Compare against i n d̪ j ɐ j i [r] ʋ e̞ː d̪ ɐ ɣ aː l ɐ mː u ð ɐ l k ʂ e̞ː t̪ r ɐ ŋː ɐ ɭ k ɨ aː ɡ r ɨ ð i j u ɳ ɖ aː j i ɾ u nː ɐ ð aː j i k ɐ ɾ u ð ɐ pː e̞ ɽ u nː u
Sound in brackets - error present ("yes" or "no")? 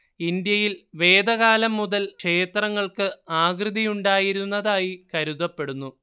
yes